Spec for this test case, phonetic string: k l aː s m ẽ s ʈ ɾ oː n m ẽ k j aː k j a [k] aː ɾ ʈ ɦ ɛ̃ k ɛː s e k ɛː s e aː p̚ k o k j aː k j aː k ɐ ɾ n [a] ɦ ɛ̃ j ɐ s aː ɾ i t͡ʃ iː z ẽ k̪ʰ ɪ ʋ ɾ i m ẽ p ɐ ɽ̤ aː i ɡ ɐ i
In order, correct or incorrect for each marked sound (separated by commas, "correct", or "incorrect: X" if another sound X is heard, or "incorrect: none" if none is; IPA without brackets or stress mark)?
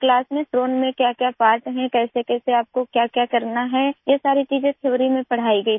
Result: incorrect: p, correct